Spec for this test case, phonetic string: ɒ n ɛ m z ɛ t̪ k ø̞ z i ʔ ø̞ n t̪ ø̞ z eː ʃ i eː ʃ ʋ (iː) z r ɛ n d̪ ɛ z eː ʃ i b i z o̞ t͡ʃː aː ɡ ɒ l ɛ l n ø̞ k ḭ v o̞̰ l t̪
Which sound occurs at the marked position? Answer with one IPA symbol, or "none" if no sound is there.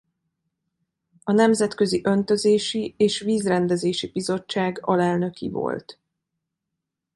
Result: iː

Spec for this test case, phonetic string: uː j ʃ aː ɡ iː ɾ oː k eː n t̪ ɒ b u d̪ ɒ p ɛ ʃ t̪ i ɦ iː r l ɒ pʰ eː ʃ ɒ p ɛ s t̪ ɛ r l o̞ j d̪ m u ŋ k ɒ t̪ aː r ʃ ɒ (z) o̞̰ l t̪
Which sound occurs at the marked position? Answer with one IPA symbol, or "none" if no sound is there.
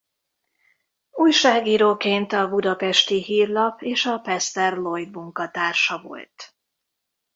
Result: v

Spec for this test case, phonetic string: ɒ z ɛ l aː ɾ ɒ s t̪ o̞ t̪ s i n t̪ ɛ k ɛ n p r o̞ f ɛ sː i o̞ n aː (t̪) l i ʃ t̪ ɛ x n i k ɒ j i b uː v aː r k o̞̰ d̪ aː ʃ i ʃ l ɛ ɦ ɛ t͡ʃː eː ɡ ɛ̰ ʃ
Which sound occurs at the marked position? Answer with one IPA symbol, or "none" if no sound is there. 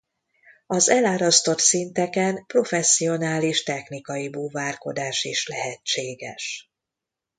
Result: none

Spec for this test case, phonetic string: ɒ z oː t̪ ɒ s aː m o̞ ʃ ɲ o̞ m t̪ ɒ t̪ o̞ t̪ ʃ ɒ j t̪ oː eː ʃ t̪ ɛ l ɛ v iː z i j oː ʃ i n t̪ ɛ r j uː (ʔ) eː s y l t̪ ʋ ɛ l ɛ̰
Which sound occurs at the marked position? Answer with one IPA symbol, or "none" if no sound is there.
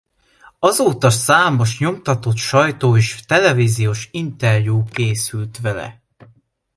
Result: k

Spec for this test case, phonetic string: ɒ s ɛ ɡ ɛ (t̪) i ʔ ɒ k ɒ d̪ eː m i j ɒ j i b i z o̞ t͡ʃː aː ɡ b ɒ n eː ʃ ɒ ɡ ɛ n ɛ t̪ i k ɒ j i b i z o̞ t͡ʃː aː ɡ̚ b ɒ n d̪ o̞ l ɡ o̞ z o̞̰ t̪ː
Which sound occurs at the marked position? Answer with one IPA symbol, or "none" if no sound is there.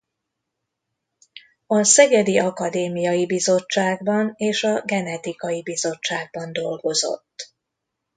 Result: d̪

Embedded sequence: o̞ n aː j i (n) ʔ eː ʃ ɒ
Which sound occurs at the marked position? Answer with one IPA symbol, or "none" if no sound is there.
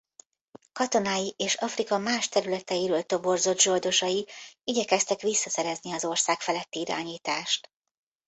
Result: none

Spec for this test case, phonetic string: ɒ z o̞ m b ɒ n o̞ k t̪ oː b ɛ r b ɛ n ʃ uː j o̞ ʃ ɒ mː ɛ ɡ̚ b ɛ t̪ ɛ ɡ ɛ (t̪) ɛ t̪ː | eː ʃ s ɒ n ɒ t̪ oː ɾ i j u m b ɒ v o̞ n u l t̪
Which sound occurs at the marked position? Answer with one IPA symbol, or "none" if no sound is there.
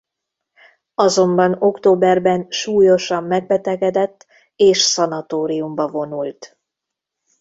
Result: d̪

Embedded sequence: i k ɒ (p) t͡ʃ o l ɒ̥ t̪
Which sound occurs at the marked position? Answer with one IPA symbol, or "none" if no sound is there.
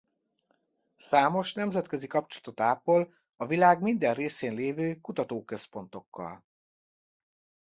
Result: p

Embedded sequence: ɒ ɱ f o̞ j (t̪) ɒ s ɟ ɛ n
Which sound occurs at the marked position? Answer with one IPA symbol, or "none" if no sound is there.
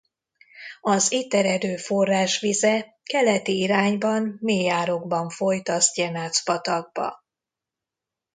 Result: t̪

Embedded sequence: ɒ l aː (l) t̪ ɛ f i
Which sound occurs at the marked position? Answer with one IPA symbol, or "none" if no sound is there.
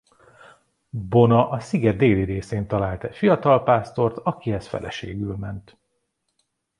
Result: l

